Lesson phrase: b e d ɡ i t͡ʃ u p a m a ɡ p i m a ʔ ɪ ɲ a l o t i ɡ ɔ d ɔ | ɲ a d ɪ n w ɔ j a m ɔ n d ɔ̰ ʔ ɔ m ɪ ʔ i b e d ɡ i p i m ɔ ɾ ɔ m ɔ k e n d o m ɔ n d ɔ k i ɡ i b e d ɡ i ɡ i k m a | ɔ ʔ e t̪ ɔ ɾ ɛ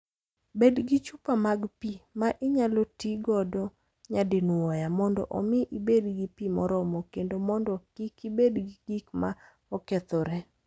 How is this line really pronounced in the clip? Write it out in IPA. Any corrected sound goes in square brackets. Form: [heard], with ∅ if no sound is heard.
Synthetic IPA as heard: b e d ɡ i t͡ʃ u p a m a ɡ p i m a ʔ ɪ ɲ a l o t i ɡ ɔ d ɔ | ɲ a d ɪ n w ɔ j a m ɔ n d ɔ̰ ʔ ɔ m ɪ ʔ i b e d ɡ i p i m ɔ ɾ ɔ m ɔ k e n d o m ɔ n d ɔ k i [k] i b e d ɡ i ɡ i k m a | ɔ [k] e t̪ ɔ ɾ ɛ